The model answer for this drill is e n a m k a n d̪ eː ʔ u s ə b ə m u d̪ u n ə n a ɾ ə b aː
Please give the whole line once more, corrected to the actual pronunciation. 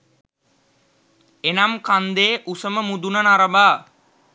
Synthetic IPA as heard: e n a m k a n d̪ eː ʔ u s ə m ə m u d̪ u n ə n a ɾ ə b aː